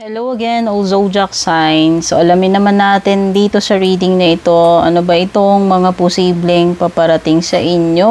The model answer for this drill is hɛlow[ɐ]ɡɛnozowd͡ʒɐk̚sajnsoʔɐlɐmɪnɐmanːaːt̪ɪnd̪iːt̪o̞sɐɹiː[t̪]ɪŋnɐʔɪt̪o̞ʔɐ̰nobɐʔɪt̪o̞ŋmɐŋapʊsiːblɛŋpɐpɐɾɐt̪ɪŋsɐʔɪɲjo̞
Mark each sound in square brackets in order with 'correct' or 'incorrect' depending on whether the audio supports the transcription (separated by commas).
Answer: correct, incorrect